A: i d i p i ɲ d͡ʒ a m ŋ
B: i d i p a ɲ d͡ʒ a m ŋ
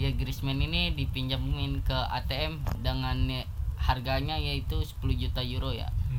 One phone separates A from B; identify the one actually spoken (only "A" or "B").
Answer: A